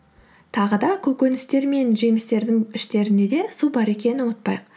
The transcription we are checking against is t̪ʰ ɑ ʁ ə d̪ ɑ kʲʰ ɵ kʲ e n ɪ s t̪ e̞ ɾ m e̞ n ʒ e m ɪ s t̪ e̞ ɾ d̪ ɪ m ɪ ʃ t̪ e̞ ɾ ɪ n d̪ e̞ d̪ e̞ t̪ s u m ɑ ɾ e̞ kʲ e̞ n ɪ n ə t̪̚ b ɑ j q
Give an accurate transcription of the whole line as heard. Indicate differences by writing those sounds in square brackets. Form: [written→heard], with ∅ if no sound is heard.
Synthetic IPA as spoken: t̪ʰ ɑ ʁ ə d̪ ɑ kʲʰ ɵ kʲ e n ɪ s t̪ e̞ ɾ m e̞ n ʒ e m ɪ s t̪ e̞ ɾ d̪ ɪ [m→ŋ] ɪ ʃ t̪ e̞ ɾ ɪ n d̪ e̞ d̪ e̞ [t̪→∅] s u [m→b] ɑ ɾ e̞ kʲ e̞ n ɪ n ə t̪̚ [b→p] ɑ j q